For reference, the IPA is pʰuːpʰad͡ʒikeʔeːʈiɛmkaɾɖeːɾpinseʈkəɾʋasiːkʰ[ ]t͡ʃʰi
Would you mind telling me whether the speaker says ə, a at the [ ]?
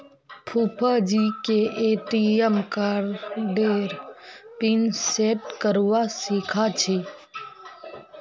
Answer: a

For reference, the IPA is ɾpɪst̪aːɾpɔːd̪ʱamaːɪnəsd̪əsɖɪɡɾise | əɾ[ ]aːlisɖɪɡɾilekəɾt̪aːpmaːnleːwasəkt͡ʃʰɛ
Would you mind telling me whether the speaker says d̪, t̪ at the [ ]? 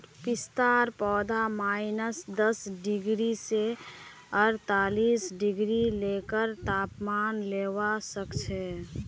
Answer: t̪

